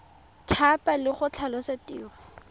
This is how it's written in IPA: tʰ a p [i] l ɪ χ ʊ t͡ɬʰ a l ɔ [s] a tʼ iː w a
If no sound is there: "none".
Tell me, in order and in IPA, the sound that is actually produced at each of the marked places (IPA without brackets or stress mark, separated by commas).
a, s